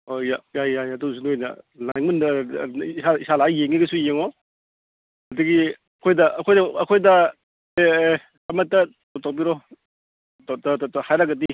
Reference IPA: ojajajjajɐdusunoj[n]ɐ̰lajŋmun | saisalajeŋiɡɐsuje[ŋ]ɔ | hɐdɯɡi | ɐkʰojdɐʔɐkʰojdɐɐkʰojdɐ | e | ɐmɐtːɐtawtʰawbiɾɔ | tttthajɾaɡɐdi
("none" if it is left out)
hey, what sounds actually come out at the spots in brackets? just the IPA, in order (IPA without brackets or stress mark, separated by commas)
n, ŋ